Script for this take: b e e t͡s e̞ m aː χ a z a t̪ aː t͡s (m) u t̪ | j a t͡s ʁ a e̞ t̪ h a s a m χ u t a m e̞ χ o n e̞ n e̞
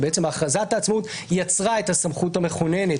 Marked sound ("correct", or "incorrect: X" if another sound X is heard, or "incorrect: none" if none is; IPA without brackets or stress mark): correct